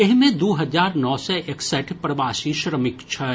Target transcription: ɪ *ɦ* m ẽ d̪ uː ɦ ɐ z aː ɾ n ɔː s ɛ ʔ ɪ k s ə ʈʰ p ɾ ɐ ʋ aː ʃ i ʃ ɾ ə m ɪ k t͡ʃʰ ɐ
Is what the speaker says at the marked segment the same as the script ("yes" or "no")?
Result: yes